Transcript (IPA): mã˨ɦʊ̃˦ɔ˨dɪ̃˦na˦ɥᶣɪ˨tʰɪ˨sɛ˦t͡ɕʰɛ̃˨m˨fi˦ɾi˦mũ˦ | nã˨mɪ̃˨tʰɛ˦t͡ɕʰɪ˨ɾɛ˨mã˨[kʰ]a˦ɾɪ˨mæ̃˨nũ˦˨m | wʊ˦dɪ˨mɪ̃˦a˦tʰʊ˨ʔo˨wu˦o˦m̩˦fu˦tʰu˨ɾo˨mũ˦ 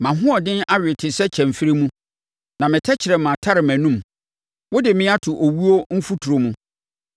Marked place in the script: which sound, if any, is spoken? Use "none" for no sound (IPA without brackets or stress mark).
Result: tʰ